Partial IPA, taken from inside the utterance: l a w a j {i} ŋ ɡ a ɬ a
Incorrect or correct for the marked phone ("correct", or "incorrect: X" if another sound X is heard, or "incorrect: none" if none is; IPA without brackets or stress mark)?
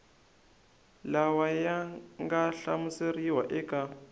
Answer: incorrect: a